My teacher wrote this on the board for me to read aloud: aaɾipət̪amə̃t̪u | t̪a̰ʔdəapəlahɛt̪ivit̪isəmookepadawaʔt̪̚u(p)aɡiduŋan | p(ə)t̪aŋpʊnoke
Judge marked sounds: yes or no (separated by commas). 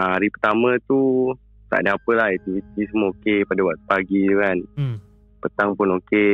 yes, yes